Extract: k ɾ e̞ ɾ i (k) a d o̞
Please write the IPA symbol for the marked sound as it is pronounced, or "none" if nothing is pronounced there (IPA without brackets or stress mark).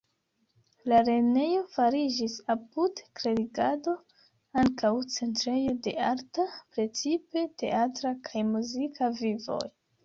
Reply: ɡ